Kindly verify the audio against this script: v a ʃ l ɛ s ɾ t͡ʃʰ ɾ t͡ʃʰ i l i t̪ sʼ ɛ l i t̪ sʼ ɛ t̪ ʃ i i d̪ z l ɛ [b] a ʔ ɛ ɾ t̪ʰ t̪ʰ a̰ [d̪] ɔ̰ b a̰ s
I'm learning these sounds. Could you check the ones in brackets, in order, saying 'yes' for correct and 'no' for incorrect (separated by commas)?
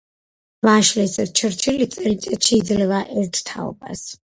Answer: no, no